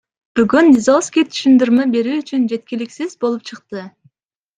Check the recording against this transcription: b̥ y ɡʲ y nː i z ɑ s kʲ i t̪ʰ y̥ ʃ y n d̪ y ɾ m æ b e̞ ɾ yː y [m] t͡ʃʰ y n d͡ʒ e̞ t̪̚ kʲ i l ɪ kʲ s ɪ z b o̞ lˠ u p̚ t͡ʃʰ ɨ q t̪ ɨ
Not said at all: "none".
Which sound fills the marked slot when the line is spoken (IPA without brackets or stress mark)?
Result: none